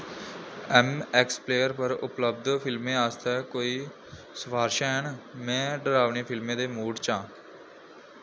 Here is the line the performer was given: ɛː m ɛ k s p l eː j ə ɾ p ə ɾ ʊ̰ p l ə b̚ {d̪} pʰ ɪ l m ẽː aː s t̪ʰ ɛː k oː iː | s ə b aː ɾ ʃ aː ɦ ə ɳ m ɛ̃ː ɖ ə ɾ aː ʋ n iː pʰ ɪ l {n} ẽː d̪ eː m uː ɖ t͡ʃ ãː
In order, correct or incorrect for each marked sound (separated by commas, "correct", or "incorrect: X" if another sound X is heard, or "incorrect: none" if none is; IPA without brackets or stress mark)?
correct, incorrect: m